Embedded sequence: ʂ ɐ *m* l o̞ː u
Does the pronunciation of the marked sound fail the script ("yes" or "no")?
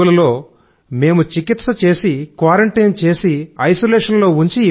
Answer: yes